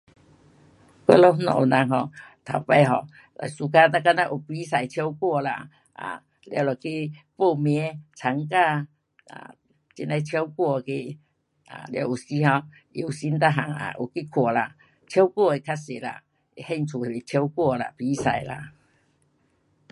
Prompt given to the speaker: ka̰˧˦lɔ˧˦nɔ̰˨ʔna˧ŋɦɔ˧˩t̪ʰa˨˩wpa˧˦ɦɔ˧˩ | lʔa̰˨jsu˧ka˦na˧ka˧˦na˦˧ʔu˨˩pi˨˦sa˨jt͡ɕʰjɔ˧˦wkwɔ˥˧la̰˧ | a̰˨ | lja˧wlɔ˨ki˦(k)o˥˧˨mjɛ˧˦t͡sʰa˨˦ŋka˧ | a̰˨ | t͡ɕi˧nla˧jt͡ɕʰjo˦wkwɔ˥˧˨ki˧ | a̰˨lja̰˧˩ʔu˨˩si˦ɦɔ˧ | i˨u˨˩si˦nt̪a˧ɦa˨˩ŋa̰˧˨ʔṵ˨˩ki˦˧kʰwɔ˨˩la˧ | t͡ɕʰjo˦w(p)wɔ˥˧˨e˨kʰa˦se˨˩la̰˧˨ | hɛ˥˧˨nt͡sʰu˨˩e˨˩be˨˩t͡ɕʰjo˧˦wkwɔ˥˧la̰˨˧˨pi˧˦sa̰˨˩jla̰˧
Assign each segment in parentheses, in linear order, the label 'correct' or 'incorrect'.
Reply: incorrect, incorrect

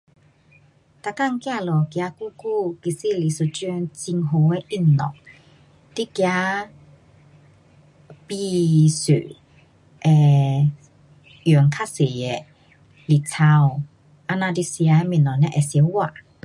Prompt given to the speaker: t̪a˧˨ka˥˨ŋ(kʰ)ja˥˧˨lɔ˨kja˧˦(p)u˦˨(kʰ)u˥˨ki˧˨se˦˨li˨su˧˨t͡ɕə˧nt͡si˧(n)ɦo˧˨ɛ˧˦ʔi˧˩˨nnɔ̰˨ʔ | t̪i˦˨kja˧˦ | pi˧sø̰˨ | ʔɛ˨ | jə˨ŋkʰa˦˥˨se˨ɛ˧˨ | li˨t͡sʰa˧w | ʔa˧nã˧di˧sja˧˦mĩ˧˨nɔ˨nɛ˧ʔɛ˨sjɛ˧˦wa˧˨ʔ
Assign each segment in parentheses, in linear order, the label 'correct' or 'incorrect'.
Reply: incorrect, incorrect, incorrect, incorrect

